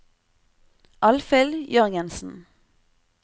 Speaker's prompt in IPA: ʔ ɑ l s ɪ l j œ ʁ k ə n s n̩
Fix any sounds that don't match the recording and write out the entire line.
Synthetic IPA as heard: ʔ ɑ l f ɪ l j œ ʁ ɡ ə n s n̩